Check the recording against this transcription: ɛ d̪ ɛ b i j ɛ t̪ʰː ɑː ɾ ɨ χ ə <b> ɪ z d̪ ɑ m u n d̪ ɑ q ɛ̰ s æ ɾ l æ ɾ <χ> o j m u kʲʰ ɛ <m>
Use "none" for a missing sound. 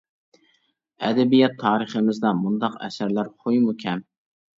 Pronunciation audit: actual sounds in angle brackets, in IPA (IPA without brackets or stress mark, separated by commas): m, χ, m